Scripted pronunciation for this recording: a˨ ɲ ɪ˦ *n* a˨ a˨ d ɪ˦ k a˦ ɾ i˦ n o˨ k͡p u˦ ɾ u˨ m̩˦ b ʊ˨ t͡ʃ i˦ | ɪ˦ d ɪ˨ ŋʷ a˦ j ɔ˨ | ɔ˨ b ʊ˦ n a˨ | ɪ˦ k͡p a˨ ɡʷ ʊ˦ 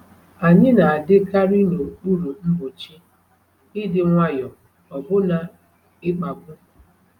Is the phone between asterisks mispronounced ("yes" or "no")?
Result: no